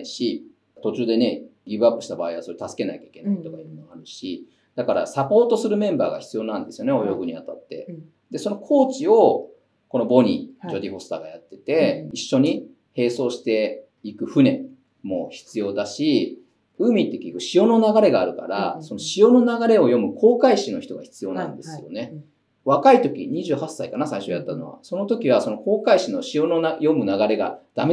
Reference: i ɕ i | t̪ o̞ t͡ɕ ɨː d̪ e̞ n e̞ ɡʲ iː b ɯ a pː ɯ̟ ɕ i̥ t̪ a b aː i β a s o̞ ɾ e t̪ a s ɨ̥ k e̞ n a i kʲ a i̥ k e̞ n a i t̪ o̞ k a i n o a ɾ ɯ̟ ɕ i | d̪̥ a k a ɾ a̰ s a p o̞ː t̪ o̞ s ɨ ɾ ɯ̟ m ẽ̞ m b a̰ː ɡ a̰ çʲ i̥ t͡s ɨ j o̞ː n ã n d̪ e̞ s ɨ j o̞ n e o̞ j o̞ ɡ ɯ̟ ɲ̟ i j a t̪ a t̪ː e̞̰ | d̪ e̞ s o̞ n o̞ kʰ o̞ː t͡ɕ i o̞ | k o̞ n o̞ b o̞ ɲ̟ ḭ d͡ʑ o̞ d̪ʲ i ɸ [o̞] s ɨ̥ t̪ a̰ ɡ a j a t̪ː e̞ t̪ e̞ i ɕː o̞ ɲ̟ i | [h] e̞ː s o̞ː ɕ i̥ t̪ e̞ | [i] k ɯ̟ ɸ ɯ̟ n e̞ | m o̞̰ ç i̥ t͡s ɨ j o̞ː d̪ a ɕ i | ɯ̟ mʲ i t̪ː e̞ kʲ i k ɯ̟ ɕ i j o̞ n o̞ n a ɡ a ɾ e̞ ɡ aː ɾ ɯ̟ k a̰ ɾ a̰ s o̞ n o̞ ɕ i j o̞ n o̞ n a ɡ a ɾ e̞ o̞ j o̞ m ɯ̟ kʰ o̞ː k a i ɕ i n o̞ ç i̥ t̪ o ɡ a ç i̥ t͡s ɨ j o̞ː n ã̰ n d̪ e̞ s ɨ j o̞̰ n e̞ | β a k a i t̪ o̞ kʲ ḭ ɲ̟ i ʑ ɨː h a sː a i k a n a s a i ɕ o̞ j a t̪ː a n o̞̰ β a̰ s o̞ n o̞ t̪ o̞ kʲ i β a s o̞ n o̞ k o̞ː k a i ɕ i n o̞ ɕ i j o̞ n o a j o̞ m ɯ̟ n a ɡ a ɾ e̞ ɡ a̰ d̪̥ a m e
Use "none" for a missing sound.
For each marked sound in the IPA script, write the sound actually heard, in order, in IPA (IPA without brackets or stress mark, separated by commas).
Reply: o̞, h, i